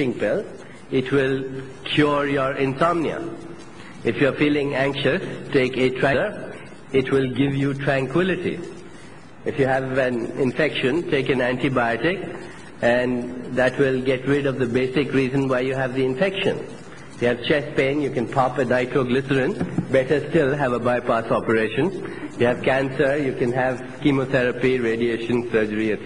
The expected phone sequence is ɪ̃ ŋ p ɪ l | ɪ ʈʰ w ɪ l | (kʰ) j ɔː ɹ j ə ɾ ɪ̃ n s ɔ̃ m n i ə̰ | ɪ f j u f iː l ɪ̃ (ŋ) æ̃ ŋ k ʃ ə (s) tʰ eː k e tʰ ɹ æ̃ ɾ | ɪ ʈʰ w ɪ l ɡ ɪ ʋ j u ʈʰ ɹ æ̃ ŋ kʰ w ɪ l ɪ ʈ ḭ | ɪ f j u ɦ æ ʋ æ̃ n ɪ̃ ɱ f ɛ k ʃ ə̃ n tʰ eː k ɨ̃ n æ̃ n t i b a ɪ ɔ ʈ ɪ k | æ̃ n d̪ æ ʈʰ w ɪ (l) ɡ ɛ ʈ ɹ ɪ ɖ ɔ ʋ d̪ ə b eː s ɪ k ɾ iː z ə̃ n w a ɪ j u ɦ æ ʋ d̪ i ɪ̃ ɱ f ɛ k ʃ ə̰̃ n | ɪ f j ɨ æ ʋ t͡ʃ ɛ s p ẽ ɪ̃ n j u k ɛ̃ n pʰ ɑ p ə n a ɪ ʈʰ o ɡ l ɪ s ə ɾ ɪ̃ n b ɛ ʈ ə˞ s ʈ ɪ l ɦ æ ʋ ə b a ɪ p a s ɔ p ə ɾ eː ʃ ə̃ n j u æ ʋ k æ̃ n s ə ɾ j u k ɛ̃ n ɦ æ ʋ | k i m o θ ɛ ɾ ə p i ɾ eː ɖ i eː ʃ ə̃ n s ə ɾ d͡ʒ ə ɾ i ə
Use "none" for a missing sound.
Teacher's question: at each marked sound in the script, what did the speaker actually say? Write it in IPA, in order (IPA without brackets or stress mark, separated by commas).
kʰ, ŋ, s, l